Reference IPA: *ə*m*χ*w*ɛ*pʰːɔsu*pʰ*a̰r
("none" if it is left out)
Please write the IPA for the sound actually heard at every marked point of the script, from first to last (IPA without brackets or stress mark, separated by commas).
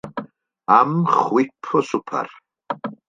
a, χ, i, pʰ